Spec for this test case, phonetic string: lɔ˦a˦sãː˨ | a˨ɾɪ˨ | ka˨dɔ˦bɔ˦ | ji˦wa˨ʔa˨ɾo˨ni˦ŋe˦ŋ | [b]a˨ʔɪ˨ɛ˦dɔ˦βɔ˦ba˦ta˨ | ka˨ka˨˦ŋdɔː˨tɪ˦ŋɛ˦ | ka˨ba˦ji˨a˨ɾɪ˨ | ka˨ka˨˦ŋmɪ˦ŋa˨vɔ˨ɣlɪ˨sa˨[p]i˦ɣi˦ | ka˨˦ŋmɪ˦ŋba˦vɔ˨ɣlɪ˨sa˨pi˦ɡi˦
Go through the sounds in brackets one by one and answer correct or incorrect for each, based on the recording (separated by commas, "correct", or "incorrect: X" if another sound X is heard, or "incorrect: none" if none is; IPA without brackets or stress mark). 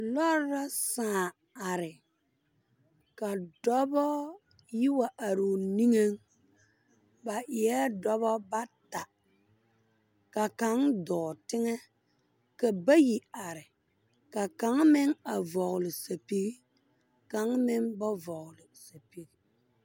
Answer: correct, correct